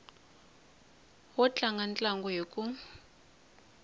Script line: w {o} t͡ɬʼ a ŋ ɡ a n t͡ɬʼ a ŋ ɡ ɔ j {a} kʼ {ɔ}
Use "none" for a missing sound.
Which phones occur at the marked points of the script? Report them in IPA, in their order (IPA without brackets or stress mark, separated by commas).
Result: ɔ, e, u